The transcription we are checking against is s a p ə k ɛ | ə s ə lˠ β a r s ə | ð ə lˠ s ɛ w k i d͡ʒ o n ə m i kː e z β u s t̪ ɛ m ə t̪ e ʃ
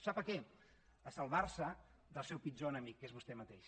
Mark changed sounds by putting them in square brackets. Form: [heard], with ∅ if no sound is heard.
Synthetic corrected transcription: s a p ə k ɛ | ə s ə lˠ β a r s ə | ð ə lˠ s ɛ w [p] i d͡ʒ o n ə m i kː e z β u s t̪ ɛ m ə t̪ e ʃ